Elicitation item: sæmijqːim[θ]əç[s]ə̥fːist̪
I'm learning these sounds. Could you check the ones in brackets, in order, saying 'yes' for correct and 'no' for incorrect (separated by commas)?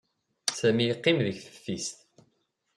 no, no